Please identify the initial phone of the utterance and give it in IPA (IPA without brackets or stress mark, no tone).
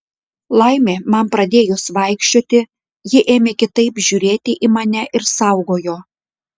lˠ